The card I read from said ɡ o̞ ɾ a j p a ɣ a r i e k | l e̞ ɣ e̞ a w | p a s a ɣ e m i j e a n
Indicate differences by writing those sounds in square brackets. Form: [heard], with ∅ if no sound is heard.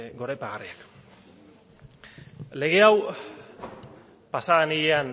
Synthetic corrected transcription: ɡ o̞ ɾ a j p a ɣ a r i [a] k | l e̞ ɣ e̞ a w | p a s a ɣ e [n] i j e a n